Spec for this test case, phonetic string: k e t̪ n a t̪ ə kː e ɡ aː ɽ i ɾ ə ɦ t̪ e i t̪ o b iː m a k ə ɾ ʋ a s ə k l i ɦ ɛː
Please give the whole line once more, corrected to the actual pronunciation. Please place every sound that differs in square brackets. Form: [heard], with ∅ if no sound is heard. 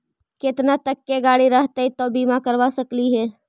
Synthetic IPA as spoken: k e t̪ n a t̪ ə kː e ɡ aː ɽ i ɾ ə ɦ t̪ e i t̪ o b iː m a k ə ɾ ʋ a s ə k l i ɦ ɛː